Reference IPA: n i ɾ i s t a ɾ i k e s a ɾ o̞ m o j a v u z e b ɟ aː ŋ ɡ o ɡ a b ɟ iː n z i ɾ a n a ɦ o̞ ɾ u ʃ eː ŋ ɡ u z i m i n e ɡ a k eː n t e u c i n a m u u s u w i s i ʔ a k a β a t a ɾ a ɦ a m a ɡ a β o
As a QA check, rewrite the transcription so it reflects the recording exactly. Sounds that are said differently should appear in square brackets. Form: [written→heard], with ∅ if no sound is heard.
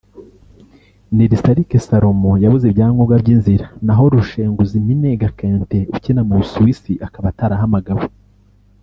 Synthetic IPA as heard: n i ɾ i s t a ɾ i k e s a ɾ o̞ m o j a [v→β] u z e b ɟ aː ŋ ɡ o ɡ a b ɟ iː n z i ɾ a n a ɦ o̞ ɾ u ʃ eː ŋ ɡ u z i m i n e ɡ a k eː n t e u c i n a m u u s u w i s i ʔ a k a β a t a ɾ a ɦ a m a ɡ a β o

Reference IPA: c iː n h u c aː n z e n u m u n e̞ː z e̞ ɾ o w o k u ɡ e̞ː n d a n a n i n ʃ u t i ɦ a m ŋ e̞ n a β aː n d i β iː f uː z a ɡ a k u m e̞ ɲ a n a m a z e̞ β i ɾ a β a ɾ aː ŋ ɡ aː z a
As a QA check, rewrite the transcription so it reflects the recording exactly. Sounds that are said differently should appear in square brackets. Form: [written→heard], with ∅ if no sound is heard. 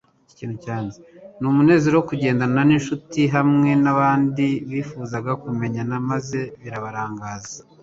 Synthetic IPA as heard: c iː n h u c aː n z e n u m u n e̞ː z e̞ ɾ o w o k u [ɡ→ɟ] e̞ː n d a n a n i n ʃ u t i ɦ a m ŋ e̞ n a β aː n d i β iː f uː z a ɡ a k u m e̞ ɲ a n a m a z e̞ β i ɾ a β a ɾ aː ŋ ɡ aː z a

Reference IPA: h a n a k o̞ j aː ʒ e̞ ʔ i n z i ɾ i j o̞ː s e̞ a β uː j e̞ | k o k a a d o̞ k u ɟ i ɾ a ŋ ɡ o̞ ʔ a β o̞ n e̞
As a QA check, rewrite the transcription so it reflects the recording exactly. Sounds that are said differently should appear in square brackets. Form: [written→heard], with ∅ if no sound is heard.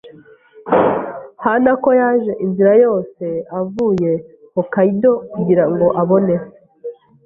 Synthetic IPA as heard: h a n a k o̞ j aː ʒ e̞ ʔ i n z i ɾ [i→a] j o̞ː s e̞ a [β→v] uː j e̞ | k o k a [a→i] d o̞ k u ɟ i ɾ a ŋ ɡ o̞ ʔ a β o̞ n e̞

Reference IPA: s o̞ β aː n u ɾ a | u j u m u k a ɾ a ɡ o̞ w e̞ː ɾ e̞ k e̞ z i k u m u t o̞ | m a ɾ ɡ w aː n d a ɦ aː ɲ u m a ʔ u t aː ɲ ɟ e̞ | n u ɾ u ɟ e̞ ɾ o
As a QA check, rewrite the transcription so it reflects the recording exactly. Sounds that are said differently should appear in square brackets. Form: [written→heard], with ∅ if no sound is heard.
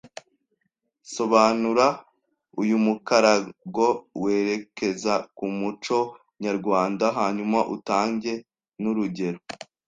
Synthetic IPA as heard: s o̞ β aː n u ɾ a | u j u m u k a ɾ a ɡ o̞ w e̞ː ɾ e̞ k e̞ z [i→a] k u m u [t→t͡ʃ] o̞ | [m→ɲ] a ɾ ɡ w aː n d a ɦ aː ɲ u m a ʔ u t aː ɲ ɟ e̞ | n u ɾ u ɟ e̞ ɾ o

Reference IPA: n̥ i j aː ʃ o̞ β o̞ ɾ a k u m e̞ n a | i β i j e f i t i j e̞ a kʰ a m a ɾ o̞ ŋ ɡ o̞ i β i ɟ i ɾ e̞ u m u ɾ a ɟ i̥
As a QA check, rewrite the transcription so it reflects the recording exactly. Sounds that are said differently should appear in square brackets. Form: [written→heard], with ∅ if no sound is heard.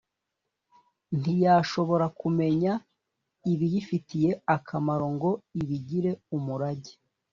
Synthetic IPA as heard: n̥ i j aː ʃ o̞ β o̞ ɾ a k u m e̞ [n→ɲ] a | i β i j [e→i] f i t i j e̞ a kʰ a m a ɾ o̞ ŋ ɡ o̞ i β i ɟ i ɾ e̞ u m u ɾ a ɟ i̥

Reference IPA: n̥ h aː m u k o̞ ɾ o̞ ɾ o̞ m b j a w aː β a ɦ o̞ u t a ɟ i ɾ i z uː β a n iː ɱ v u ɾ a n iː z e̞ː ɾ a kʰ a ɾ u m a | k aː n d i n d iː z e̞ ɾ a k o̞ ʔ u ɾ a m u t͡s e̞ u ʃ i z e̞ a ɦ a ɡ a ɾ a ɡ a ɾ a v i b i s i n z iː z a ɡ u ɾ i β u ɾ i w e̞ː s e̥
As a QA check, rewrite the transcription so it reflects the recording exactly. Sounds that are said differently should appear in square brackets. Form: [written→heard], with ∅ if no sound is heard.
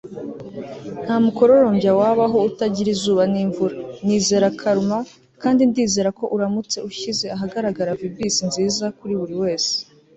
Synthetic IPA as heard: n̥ h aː m u k o̞ ɾ o̞ ɾ o̞ m b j a w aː β a ɦ o̞ u t a ɟ i ɾ i z uː β a n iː ɱ v u ɾ a n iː z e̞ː ɾ a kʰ a ɾ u m a | k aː n d i n d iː z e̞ ɾ a k o̞ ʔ u ɾ a m u t͡s e̞ u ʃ i z e̞ a ɦ a ɡ a ɾ a ɡ a ɾ a v i b i s i n z iː z a [ɡ→k] u ɾ i β u ɾ i w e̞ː s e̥

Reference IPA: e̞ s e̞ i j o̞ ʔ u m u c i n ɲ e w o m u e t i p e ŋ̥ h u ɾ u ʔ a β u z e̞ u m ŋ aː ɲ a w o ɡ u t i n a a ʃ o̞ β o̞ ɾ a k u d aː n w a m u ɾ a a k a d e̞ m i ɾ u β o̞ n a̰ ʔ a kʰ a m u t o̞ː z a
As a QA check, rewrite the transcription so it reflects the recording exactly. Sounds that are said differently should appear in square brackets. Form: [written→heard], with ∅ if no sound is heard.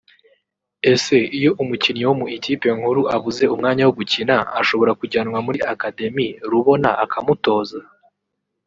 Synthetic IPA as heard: e̞ s e̞ i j o̞ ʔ u m u c i n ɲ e w o m u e t i p e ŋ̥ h u ɾ u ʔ a β u z e̞ u m ŋ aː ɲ a w o ɡ u [t→c] i n a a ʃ o̞ β o̞ ɾ a k u [d→ɟ] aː n w a m u ɾ [a→i] a k a d e̞ m i ɾ u β o̞ n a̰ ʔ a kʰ a m u t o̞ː z a

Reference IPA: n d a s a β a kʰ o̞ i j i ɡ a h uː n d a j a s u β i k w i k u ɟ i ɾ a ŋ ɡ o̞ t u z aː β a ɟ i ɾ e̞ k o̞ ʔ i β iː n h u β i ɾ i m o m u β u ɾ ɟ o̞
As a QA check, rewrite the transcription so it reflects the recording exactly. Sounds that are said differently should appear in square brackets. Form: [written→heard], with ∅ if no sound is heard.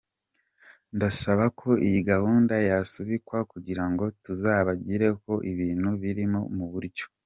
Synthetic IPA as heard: n d a s a β a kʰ o̞ i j i ɡ a h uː n d a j a s u β i k w [i→a] k u ɟ i ɾ a ŋ ɡ o̞ t u z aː β a ɟ i ɾ e̞ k o̞ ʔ i β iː n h u β i ɾ i m o m u β u ɾ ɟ o̞

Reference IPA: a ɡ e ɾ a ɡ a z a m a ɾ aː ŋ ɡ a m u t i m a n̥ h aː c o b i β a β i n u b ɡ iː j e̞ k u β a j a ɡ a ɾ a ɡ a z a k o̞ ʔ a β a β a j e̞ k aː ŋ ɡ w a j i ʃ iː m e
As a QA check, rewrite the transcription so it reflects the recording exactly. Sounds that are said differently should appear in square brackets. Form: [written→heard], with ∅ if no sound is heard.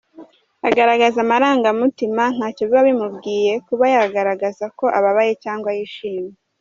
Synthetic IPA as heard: a ɡ [e→a] ɾ a ɡ a z a m a ɾ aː ŋ ɡ a m u t i m a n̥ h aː c o [b→β] i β a β i [n→m] u b ɡ iː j e̞ k u β a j a ɡ a ɾ a ɡ a z a k o̞ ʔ a β a β a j e̞ [k→c] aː ŋ ɡ w a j i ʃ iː m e

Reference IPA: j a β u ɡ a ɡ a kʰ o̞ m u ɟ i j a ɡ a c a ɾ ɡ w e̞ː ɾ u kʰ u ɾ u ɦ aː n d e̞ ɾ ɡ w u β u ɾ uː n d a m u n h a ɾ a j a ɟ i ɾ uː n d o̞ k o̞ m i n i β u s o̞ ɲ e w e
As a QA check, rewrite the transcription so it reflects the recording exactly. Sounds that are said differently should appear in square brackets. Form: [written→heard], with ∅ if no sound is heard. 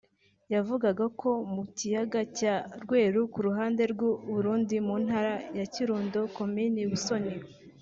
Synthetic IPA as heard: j a [β→v] u ɡ a ɡ a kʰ o̞ m u [ɟ→c] i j a ɡ a c a ɾ ɡ w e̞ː ɾ u [kʰ→k] u ɾ u ɦ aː n d e̞ ɾ ɡ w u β u ɾ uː n d [a→i] m u n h a ɾ a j a [ɟ→c] i ɾ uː n d o̞ k o̞ m i n i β u s o̞ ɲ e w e

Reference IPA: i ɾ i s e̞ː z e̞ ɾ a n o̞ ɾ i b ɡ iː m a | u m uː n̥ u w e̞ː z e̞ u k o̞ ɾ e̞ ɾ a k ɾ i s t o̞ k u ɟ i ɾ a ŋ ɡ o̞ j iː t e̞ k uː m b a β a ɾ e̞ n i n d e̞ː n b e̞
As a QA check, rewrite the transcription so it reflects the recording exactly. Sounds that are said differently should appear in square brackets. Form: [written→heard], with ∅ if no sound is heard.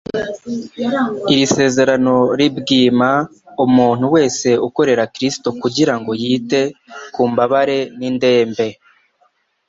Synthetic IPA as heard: i ɾ i s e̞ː z e̞ ɾ a n o̞ ɾ i b ɡ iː m a | u m uː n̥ u w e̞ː [z→s] e̞ u k o̞ ɾ e̞ ɾ a k ɾ i s t o̞ k u ɟ i ɾ a ŋ ɡ o̞ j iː t e̞ k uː m b a β a ɾ e̞ n i n d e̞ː [n→m] b e̞

